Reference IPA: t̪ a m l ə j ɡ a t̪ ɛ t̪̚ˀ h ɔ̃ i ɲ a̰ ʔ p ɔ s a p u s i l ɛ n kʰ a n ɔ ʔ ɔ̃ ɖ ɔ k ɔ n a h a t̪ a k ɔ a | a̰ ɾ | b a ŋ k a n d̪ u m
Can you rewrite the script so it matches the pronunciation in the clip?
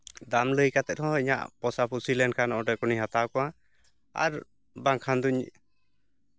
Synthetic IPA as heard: d̪ a m l ə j k a t̪ ɛ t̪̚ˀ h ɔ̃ i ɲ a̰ ʔ p ɔ s a p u s i l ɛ n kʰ a n ɔ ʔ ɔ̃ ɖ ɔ k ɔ n i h a t̪ a k ɔ a | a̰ ɾ | b a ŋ kʰ a n d̪ u ɲ